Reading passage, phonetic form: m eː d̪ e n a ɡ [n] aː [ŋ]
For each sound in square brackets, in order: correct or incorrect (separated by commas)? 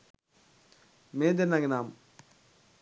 correct, incorrect